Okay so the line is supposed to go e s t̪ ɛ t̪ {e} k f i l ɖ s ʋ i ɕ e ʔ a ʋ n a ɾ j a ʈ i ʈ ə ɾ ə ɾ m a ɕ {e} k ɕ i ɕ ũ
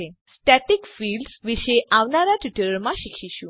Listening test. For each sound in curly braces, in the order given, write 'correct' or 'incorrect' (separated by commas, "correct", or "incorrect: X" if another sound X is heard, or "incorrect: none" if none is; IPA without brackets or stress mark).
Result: incorrect: i, incorrect: i